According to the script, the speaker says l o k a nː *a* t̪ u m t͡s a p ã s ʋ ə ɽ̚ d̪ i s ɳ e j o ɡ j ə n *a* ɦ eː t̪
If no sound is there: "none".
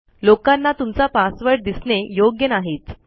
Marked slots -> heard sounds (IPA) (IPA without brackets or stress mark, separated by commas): a, a